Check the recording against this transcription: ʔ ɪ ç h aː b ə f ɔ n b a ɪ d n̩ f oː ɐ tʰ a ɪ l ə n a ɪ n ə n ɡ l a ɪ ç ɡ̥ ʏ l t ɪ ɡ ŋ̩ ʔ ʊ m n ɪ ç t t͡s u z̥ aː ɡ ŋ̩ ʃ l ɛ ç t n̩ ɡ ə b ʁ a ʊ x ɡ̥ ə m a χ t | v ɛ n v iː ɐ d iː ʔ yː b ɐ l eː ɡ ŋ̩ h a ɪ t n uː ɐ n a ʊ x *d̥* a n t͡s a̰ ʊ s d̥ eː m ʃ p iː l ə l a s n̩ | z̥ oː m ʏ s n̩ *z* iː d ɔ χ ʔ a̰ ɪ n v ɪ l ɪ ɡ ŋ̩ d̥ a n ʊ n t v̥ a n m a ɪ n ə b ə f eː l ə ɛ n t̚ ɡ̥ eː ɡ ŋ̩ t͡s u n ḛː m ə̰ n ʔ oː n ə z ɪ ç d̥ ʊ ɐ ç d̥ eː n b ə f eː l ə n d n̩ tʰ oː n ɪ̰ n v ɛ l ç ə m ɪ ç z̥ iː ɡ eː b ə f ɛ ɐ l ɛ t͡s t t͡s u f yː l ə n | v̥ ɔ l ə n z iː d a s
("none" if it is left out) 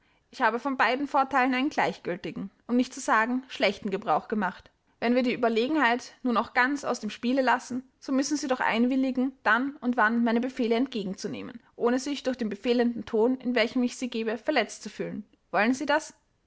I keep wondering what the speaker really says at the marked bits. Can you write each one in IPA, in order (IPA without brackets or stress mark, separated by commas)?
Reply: ɡ̥, z